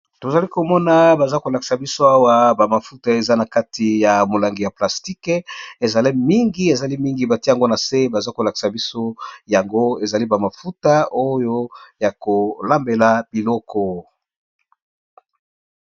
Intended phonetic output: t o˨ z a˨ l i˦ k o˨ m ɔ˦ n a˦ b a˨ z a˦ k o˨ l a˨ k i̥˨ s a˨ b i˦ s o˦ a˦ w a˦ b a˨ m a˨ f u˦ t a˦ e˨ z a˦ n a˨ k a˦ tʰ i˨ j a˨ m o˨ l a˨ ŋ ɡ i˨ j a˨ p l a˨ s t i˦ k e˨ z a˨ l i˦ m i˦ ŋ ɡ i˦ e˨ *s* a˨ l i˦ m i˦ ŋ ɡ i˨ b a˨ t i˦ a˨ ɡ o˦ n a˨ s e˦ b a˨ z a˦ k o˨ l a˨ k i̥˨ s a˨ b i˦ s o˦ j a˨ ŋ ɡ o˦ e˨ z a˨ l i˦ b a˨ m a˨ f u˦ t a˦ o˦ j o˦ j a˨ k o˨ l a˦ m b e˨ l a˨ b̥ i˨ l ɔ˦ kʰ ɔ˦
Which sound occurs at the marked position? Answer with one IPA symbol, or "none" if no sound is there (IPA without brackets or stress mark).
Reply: z